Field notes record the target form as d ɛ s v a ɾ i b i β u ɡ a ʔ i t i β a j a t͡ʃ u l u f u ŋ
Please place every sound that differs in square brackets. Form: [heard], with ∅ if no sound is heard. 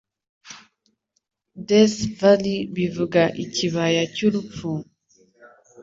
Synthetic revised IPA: d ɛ s v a [l] i b i [v] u ɡ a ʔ i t i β a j a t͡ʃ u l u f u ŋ